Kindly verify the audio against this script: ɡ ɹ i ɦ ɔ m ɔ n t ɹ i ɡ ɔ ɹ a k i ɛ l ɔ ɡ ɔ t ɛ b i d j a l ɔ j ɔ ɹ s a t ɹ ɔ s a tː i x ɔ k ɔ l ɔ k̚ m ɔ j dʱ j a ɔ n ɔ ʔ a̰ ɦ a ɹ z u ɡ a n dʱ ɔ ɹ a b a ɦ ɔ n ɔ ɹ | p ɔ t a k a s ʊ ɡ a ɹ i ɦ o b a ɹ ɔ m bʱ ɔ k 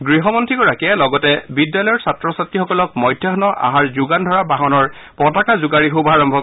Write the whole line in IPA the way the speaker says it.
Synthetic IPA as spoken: ɡ ɹ i ɦ ɔ m ɔ n t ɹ i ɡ ɔ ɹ a k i ɛ l ɔ ɡ ɔ t ɛ b i d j a l ɔ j ɔ ɹ s a t ɹ ɔ s a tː i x ɔ k ɔ l ɔ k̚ m ɔ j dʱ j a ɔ n ɔ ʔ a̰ ɦ a ɹ z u ɡ a n dʱ ɔ ɹ a b a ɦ ɔ n ɔ ɹ | p ɔ t a k a z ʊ ɡ a ɹ i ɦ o b a ɹ ɔ m bʱ ɔ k